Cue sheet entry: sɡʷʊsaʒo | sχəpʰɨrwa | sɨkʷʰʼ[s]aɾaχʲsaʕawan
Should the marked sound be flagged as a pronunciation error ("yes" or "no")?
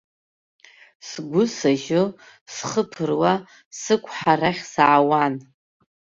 yes